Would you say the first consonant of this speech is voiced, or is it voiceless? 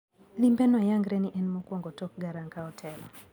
voiced